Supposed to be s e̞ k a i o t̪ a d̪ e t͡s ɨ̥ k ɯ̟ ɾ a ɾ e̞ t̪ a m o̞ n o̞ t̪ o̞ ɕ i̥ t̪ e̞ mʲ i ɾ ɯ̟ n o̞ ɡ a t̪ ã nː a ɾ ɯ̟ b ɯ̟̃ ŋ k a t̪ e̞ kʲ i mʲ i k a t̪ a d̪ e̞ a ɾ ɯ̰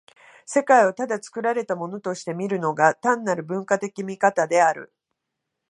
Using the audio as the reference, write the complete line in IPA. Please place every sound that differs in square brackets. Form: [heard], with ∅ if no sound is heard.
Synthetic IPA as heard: s e̞ k a i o t̪ a d̪ [a] t͡s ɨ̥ k ɯ̟ ɾ a ɾ e̞ t̪ a m o̞ n o̞ t̪ o̞ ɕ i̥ t̪ e̞ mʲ i ɾ ɯ̟ n o̞ ɡ a t̪ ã nː a ɾ ɯ̟ b ɯ̟̃ ŋ k a t̪ e̞ kʲ i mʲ i k a t̪ a d̪ e̞ a ɾ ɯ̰